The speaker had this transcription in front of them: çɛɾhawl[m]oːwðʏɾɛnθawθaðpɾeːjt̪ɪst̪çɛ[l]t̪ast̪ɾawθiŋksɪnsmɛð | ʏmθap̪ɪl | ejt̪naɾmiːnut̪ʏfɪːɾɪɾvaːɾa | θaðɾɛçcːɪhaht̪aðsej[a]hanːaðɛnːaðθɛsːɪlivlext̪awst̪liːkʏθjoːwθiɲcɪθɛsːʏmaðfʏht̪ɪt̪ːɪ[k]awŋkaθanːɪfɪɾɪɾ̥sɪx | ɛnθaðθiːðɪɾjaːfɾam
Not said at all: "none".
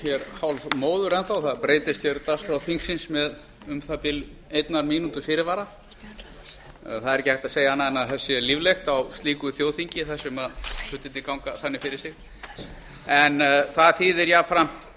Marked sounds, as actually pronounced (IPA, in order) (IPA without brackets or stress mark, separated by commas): m, ɾ, a, k